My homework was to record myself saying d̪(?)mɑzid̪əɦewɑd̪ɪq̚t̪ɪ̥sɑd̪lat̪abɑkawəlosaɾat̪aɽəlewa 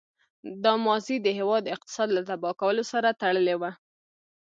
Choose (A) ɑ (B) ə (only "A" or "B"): A